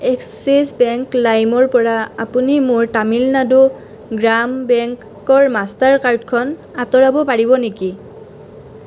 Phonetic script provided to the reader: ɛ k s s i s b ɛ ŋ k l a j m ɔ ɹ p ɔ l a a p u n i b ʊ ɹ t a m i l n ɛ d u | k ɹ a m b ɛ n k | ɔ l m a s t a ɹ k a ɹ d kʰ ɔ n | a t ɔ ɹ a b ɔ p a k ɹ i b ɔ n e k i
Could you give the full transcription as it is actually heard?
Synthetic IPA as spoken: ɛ k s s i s b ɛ ŋ k l a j m ɔ ɹ p ɔ ɹ a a p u n i m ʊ ɹ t a m i l n a d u | ɡ ɹ a m b ɛ ŋ k | ɔ ɹ m a s t a ɹ k a ɹ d kʰ ɔ n | a t ɔ ɹ a b ɔ p a ɹ i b ɔ n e k i

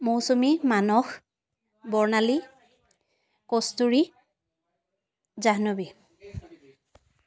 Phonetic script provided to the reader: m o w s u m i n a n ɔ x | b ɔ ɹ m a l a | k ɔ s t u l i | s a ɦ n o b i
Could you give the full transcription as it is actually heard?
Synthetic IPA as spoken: m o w s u m i m a n ɔ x | b ɔ ɹ n a l i | k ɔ s t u ɹ i | z a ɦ n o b i

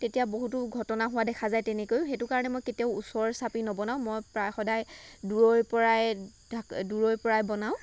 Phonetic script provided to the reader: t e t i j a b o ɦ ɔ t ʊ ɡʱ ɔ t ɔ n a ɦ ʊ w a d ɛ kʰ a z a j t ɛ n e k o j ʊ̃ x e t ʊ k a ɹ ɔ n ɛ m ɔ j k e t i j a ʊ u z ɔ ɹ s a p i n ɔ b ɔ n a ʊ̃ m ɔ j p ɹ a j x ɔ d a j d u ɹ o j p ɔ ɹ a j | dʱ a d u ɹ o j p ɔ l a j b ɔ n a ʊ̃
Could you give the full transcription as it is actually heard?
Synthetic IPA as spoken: t e t i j a b o ɦ u t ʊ ɡʱ ɔ t ɔ n a ɦ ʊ w a d ɛ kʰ a z a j t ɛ n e k o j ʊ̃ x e t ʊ k a ɹ ɔ n ɛ m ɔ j k e t i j a ʊ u s ɔ ɹ s a p i n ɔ b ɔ n a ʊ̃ m ɔ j p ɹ a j x ɔ d a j d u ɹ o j p ɔ ɹ a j | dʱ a d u ɹ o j p ɔ ɹ a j b ɔ n a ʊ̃

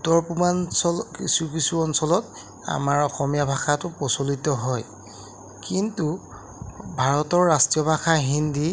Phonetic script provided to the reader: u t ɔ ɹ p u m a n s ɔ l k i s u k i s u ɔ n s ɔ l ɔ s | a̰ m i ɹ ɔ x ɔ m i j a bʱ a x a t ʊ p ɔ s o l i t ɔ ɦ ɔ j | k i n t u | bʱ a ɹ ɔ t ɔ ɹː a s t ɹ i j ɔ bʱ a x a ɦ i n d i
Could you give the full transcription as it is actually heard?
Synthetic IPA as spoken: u t ɔ ɹ p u m a n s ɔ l k i s u k i s u ɔ n s ɔ l ɔ t | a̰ m a ɹ ɔ x ɔ m i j a bʱ a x a t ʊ p ɔ s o l i t ɔ ɦ ɔ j | k i n t u | bʱ a ɹ ɔ t ɔ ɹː a s t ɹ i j ɔ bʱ a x a ɦ i n d i

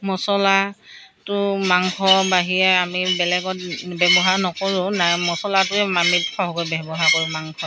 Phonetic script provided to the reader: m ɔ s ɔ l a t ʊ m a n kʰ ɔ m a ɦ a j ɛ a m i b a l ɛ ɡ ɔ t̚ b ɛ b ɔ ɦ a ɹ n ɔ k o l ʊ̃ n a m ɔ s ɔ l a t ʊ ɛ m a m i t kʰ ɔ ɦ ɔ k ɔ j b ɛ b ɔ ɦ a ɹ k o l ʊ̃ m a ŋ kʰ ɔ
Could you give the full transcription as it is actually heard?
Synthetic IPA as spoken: m ɔ s ɔ l a t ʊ m a ŋ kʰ ɔ b a ɦ i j ɛ a m i b ɛ l ɛ ɡ ɔ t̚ b ɛ b ɔ ɦ a ɹ n ɔ k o ɹ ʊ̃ n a m ɔ s ɔ l a t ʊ ɛ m a m i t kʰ ɔ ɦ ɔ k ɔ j b ɛ b ɔ ɦ a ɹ k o ɹ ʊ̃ m a ŋ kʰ ɔ

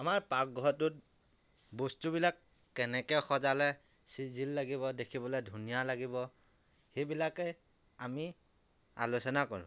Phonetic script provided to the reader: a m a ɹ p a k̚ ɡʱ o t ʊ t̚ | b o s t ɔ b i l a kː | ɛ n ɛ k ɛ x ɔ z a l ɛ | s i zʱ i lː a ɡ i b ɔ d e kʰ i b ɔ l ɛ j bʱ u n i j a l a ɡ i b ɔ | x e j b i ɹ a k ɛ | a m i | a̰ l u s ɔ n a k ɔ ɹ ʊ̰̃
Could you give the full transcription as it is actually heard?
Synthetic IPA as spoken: a m a ɹ p a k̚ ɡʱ ɔ t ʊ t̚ | b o s t u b i l a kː | ɛ n ɛ k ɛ x ɔ z a l ɛ | s i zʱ i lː a ɡ i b ɔ d e kʰ i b ɔ l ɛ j dʱ u n i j a l a ɡ i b ɔ | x e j b i l a k ɛ | a m i | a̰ l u s ɔ n a k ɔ ɹ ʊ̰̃

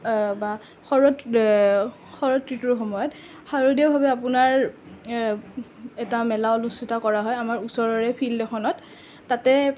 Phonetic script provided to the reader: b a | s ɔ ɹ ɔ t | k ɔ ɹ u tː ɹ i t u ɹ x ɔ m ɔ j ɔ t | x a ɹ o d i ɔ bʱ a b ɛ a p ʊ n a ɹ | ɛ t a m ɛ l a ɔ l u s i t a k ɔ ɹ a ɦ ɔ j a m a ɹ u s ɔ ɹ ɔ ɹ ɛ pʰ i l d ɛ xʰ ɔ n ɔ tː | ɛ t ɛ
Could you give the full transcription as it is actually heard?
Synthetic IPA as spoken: b a | x ɔ ɹ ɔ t | x ɔ ɹ ɔ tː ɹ i t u ɹ x ɔ m ɔ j ɔ t | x a ɹ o d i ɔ bʱ a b ɛ a p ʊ n a ɹ | ɛ t a m ɛ l a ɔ l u s i t a k ɔ ɹ a ɦ ɔ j a m a ɹ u s ɔ ɹ ɔ ɹ ɛ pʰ i l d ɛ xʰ ɔ n ɔ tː | a t ɛ

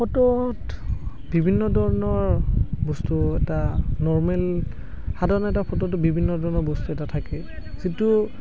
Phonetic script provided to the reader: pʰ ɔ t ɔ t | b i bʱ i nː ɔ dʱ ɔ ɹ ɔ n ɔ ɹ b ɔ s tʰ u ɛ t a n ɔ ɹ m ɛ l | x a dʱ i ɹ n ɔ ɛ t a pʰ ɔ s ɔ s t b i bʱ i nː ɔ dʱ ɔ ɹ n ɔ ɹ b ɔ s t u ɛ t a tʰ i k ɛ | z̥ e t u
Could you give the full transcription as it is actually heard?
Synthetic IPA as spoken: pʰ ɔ t ɔ t | b i bʱ i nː ɔ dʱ ɔ ɹ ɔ n ɔ ɹ b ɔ s t u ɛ t a n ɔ ɹ m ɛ l | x a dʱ a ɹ n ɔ ɛ t a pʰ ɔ t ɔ t b i bʱ i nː ɔ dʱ ɔ ɹ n ɔ ɹ b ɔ s t u ɛ t a tʰ a k ɛ | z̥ i t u

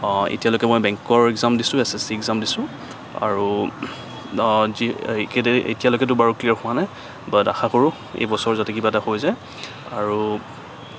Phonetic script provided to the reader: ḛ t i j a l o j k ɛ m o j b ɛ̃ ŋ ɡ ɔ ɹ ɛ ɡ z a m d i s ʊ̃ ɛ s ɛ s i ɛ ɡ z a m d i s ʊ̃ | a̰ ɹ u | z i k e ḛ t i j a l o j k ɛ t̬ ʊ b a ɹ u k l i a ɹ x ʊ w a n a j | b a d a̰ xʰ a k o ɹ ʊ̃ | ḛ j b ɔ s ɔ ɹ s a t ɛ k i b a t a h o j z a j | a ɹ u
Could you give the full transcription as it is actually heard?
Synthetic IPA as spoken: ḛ t i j a l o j k ɛ m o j b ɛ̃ ŋ k ɔ ɹ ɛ ɡ z a m d i s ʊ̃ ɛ s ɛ s i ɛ ɡ z a m d i s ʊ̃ | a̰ ɹ u | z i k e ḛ t i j a l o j k ɛ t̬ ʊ b a ɹ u k l i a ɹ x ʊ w a n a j | b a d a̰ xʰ a k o ɹ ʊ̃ | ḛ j b ɔ s ɔ ɹ z a t ɛ k i b a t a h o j z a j | a ɹ u

